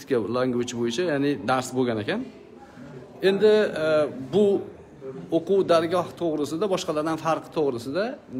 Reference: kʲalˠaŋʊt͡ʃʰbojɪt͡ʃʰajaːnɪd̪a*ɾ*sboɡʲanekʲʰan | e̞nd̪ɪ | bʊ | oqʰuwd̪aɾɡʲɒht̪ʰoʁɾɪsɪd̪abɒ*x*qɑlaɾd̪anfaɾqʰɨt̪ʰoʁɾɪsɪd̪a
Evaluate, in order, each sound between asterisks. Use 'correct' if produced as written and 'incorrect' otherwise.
correct, incorrect

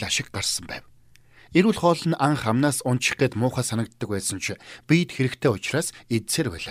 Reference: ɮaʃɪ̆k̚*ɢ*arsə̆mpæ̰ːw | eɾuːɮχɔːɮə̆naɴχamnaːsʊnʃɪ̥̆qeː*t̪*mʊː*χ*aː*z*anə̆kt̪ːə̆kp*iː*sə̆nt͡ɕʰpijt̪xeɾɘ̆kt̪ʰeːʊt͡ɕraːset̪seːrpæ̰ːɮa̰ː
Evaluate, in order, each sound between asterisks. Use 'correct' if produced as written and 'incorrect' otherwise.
correct, correct, correct, incorrect, incorrect

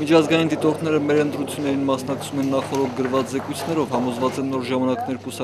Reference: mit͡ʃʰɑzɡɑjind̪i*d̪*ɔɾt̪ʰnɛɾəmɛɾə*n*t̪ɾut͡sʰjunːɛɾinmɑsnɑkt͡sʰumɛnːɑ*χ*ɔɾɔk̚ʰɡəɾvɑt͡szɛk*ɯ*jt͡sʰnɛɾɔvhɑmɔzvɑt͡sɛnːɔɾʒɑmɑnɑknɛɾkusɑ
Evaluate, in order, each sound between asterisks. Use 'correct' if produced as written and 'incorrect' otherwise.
incorrect, correct, correct, incorrect

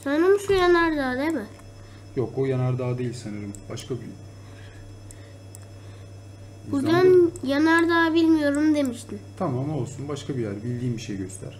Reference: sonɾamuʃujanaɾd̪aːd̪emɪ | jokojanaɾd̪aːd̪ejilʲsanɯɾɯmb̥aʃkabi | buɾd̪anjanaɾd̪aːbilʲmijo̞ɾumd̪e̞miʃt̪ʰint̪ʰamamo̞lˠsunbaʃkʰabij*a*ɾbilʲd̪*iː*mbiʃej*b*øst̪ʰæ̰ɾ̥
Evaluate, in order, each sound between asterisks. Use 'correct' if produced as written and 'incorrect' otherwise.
incorrect, correct, incorrect

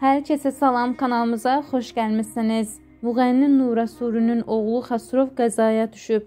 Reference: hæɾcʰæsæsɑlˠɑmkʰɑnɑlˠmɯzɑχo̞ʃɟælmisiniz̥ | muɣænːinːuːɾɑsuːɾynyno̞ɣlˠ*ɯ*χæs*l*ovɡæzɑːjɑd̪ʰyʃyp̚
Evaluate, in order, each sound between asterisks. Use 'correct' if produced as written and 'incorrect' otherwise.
incorrect, incorrect

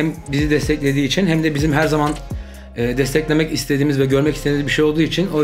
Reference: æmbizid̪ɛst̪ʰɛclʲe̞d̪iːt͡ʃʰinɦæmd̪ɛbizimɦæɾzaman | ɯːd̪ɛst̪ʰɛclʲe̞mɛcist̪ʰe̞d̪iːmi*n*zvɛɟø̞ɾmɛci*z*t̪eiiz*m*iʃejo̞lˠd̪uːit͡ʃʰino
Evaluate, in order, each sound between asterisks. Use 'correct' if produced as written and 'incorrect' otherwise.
incorrect, incorrect, incorrect

